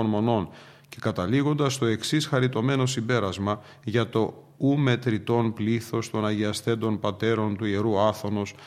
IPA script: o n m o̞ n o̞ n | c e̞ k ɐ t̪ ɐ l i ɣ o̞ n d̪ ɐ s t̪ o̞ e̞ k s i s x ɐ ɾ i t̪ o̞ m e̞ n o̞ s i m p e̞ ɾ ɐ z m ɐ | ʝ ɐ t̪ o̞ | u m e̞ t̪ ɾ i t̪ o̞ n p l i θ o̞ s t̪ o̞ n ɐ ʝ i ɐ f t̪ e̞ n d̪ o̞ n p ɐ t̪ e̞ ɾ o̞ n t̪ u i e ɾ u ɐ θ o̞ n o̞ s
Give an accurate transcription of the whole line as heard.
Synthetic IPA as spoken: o n m o̞ n o̞ n | c e̞ k ɐ t̪ ɐ l i ɣ o̞ n d̪ ɐ s t̪ o̞ e̞ k s i s x ɐ ɾ i t̪ o̞ m e̞ n o̞ s i m b e̞ ɾ ɐ z m ɐ | ʝ ɐ t̪ o̞ | u m e̞ t̪ ɾ i t̪ o̞ n p l i θ o̞ s t̪ o̞ n ɐ ʝ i ɐ s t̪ e̞ n d̪ o̞ n p ɐ t̪ e̞ ɾ o̞ n t̪ u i e ɾ u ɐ θ o̞ n o̞ s